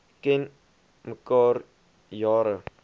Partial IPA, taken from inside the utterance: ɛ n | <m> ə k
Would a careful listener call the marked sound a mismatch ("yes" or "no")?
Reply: no